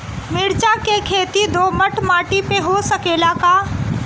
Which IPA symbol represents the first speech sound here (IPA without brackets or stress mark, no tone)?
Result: m